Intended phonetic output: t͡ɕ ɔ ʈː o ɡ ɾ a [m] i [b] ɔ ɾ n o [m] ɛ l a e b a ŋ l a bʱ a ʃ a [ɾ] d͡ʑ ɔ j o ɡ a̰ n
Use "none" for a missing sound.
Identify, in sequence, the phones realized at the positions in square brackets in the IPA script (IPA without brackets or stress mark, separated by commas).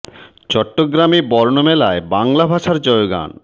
m, b, m, ɾ